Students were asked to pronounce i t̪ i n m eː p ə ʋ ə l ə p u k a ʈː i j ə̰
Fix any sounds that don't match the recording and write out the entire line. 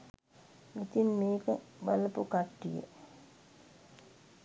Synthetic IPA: i t̪ i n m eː k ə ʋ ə l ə p u k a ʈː i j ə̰